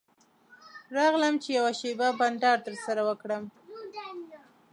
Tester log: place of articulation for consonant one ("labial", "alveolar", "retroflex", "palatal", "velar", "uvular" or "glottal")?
alveolar